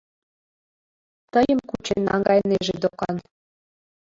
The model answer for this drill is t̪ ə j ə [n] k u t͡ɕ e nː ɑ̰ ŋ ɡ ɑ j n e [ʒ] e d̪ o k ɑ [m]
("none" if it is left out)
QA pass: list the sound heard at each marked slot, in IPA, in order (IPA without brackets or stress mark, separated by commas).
m, ʒ, n